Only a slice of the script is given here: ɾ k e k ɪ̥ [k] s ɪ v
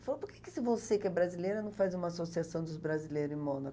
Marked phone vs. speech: incorrect: none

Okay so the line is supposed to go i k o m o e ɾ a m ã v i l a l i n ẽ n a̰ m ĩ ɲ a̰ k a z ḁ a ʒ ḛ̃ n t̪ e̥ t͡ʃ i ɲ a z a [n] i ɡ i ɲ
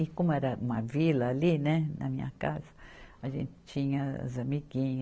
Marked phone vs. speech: incorrect: m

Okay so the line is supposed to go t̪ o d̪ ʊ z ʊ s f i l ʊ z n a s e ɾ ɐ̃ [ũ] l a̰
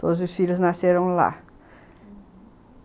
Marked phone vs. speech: incorrect: w̃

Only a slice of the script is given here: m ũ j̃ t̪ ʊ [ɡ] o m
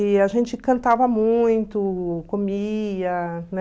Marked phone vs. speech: incorrect: k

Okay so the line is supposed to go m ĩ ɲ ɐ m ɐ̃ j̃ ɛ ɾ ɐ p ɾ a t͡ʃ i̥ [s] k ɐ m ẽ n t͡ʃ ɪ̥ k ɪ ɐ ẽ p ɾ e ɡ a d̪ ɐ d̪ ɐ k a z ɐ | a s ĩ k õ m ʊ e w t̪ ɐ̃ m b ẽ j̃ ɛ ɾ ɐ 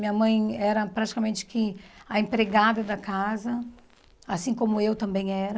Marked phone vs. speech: incorrect: none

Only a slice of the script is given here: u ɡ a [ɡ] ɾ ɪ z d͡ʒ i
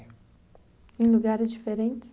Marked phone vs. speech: incorrect: none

